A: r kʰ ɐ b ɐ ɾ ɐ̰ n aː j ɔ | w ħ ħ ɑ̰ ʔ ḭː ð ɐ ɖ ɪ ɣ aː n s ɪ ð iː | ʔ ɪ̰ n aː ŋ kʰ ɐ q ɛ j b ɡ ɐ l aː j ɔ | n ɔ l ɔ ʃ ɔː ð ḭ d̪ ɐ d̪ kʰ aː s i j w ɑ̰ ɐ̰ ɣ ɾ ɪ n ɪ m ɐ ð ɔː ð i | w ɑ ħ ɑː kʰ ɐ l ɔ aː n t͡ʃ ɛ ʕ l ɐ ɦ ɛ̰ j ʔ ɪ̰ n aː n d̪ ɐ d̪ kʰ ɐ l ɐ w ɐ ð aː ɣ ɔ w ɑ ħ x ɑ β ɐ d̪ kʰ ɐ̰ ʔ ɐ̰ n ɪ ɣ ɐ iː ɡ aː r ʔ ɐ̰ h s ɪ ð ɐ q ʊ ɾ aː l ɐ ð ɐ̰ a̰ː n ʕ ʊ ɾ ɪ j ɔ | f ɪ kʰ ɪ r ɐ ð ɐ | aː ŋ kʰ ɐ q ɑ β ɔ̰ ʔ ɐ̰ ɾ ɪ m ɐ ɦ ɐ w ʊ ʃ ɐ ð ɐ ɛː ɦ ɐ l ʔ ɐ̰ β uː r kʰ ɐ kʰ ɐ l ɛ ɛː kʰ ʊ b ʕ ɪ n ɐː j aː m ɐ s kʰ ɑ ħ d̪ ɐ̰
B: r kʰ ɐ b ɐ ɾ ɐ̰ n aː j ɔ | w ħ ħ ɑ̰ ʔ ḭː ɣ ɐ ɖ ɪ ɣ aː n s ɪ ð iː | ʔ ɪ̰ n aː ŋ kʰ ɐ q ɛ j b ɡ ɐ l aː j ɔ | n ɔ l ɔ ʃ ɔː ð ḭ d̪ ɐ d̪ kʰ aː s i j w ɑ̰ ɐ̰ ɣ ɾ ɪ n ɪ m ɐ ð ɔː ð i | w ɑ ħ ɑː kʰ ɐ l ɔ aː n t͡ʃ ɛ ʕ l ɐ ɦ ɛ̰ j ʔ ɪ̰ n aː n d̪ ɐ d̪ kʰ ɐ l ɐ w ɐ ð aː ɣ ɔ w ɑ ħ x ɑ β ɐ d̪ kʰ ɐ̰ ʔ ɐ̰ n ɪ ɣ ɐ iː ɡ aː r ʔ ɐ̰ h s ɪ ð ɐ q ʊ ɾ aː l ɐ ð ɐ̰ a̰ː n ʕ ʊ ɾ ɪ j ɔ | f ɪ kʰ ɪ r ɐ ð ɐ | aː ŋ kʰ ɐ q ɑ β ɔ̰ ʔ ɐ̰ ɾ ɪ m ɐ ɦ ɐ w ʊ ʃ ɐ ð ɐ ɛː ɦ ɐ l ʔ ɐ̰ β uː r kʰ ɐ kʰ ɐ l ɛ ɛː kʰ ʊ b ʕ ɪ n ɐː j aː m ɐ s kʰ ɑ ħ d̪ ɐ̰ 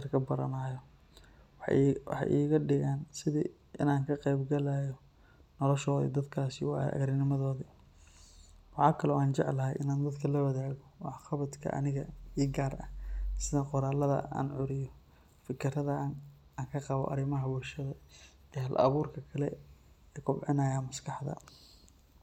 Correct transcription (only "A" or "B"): B